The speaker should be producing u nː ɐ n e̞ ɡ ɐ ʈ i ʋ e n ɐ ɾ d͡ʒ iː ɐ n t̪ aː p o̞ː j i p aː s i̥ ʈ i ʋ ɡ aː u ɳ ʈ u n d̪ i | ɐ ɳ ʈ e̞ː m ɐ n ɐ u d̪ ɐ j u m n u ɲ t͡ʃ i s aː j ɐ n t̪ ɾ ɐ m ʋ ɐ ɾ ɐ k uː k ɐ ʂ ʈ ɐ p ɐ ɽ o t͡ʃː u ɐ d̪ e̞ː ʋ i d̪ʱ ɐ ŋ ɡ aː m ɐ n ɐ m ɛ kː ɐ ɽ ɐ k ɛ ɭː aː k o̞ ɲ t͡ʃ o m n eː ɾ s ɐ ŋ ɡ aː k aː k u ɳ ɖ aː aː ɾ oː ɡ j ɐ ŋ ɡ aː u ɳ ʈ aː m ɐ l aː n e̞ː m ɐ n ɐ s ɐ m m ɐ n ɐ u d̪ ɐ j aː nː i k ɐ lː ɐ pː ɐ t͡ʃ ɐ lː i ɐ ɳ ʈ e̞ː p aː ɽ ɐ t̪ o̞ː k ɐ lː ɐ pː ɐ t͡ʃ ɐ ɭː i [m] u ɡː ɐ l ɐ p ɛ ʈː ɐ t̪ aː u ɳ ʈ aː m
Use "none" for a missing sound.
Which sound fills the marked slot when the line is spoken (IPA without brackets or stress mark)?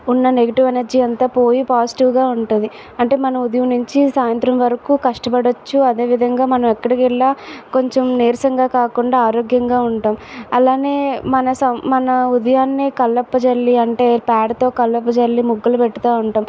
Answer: m